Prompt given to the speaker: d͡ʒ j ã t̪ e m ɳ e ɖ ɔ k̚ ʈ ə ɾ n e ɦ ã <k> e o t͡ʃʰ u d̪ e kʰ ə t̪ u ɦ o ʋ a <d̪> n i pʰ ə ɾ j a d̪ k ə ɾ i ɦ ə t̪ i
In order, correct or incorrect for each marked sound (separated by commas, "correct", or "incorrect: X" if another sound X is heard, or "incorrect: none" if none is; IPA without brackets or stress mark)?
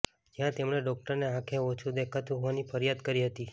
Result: incorrect: kʰ, incorrect: none